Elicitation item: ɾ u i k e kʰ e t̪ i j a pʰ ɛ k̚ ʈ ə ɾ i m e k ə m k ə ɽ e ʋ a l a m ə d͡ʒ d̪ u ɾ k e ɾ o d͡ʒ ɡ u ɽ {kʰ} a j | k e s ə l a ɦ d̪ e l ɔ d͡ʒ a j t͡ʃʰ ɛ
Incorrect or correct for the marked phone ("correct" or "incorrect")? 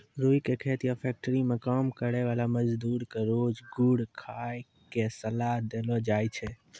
correct